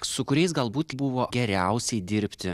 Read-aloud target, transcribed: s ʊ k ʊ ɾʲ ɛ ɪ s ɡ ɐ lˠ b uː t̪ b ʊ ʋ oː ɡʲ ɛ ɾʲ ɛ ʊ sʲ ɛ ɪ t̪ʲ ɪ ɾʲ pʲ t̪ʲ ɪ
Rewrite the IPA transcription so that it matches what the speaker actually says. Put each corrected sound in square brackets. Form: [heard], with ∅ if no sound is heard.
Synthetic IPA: s ʊ k ʊ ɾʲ ɛ ɪ s ɡ ɐ lˠ b uː t̪ b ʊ ʋ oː ɡʲ ɛ ɾʲ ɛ ʊ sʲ ɛ ɪ [d̪ʲ] ɪ ɾʲ pʲ t̪ʲ ɪ

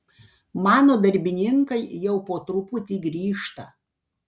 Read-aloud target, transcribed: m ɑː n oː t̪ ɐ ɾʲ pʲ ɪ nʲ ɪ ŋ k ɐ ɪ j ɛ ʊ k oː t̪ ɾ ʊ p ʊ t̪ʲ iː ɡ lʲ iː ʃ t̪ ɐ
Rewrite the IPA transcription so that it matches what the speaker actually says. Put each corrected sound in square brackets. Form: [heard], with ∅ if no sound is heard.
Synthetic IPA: m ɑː n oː [d̪] ɐ ɾʲ [bʲ] ɪ nʲ ɪ ŋ k ɐ ɪ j ɛ ʊ [p] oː t̪ ɾ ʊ p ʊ t̪ʲ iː ɡ [ɾʲ] iː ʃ t̪ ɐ

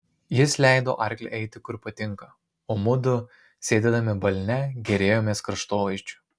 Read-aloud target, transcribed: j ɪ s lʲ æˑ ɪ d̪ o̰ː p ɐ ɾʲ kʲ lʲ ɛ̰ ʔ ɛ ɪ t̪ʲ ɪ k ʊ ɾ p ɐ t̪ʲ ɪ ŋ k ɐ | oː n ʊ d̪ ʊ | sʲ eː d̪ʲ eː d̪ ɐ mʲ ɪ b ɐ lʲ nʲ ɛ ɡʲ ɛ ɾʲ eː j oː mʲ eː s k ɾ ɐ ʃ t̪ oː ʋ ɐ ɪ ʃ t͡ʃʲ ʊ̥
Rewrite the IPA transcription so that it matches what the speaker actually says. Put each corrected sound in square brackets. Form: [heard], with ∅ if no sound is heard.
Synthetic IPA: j ɪ s lʲ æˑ ɪ d̪ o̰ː [ʔ] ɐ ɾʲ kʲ lʲ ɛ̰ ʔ ɛ ɪ t̪ʲ ɪ k ʊ ɾ p ɐ t̪ʲ ɪ ŋ k ɐ | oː [m] ʊ d̪ ʊ | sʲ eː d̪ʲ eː d̪ ɐ mʲ ɪ b ɐ lʲ nʲ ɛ ɡʲ ɛ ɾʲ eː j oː mʲ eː s k ɾ ɐ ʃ t̪ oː ʋ ɐ ɪ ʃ t͡ʃʲ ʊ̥

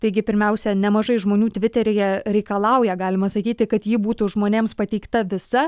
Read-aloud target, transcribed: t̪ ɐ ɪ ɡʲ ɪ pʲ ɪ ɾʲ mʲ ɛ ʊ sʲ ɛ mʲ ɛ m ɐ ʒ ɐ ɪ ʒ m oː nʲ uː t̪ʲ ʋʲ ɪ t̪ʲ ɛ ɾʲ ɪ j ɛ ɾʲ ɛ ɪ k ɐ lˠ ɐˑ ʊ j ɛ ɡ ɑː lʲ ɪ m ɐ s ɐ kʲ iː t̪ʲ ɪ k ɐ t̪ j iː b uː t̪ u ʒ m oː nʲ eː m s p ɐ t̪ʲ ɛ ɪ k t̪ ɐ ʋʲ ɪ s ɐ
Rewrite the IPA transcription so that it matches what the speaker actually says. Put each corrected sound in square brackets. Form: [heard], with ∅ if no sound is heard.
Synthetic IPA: t̪ ɐ ɪ ɡʲ ɪ pʲ ɪ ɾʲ mʲ ɛ ʊ sʲ ɛ [nʲ] ɛ m ɐ ʒ ɐ ɪ ʒ m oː nʲ uː t̪ʲ ʋʲ ɪ t̪ʲ ɛ ɾʲ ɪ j ɛ ɾʲ ɛ ɪ k ɐ lˠ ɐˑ ʊ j ɛ ɡ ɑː lʲ ɪ m ɐ s ɐ kʲ iː t̪ʲ ɪ k ɐ t̪ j iː b uː t̪ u ʒ m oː nʲ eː m s p ɐ t̪ʲ ɛ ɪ k t̪ ɐ ʋʲ ɪ s ɐ

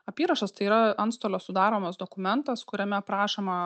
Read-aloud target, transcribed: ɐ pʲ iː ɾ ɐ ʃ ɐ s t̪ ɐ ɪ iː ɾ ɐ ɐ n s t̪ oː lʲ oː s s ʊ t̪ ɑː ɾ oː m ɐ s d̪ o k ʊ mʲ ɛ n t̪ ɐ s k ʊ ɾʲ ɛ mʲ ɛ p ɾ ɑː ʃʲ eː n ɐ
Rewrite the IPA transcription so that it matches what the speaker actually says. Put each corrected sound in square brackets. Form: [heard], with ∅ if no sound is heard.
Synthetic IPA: ɐ pʲ iː ɾ ɐ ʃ ɐ s t̪ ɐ ɪ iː ɾ ɐ ɐ n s t̪ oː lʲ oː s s ʊ [d̪] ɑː ɾ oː m ɐ s d̪ o k ʊ mʲ ɛ n t̪ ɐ s k ʊ ɾʲ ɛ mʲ ɛ p ɾ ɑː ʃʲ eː [m] ɐ

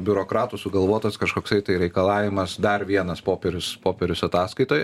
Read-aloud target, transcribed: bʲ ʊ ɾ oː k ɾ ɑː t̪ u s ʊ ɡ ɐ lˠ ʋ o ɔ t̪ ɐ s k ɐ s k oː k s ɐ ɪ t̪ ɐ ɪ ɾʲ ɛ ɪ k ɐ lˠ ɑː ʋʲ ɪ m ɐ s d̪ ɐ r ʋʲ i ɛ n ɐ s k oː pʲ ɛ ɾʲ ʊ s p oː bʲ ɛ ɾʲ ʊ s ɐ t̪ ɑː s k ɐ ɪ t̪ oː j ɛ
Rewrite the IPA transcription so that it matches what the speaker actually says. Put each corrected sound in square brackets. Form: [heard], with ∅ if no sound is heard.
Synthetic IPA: bʲ ʊ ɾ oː k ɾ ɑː t̪ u s ʊ ɡ ɐ lˠ ʋ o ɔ t̪ ɐ s k ɐ [ʃ] k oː k s ɐ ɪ t̪ ɐ ɪ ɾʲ ɛ ɪ k ɐ lˠ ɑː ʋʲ ɪ m ɐ s d̪ ɐ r ʋʲ i ɛ n ɐ s [p] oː pʲ ɛ ɾʲ ʊ s p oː [pʲ] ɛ ɾʲ ʊ s ɐ t̪ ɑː s k ɐ ɪ t̪ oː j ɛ

